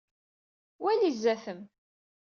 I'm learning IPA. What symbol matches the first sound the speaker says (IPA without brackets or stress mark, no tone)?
w